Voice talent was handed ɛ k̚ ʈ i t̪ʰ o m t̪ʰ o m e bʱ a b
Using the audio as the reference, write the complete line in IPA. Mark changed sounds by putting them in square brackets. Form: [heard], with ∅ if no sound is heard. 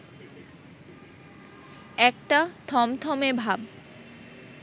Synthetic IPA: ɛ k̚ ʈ [a] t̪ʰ [ɔ] m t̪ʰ [ɔ] m e bʱ a b